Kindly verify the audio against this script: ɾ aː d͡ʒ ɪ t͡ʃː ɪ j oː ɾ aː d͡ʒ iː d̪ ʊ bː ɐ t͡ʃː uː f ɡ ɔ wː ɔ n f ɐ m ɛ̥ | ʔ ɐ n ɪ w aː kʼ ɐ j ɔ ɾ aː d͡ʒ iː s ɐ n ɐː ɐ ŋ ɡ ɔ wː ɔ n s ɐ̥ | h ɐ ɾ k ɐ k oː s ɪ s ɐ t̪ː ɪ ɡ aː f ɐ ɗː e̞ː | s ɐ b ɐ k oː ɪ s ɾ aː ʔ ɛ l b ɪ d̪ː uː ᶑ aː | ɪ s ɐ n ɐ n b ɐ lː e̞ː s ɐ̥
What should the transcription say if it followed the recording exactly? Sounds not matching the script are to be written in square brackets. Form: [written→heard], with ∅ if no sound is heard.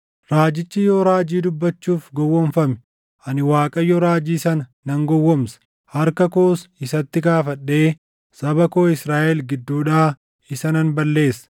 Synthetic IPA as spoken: ɾ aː d͡ʒ ɪ t͡ʃː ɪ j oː ɾ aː d͡ʒ iː d̪ ʊ bː ɐ t͡ʃː uː f ɡ ɔ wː ɔ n f ɐ m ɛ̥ | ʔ ɐ n ɪ w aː kʼ ɐ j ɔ ɾ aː d͡ʒ iː s ɐ n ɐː ɐ ŋ ɡ ɔ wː ɔ [n→m] s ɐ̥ | h ɐ ɾ k ɐ k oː s ɪ s ɐ t̪ː ɪ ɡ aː f ɐ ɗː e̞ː | s ɐ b ɐ k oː ɪ s ɾ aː ʔ ɛ l [b→ɡ] ɪ d̪ː uː ᶑ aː | ɪ s ɐ n ɐ n b ɐ lː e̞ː s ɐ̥